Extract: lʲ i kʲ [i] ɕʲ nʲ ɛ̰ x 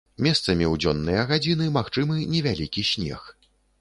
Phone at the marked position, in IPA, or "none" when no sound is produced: i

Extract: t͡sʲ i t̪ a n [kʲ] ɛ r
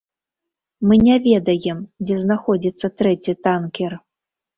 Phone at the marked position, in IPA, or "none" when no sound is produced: kʲ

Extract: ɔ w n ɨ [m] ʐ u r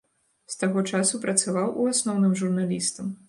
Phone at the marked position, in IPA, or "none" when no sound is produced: m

